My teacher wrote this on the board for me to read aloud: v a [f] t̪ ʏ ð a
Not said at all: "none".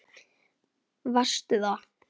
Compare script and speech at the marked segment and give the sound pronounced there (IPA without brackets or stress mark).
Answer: s